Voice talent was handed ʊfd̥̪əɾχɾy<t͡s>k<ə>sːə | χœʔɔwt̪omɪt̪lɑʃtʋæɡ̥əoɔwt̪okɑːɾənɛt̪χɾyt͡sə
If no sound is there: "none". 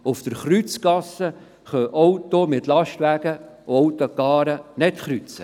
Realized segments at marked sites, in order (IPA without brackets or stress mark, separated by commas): t͡s, ɑ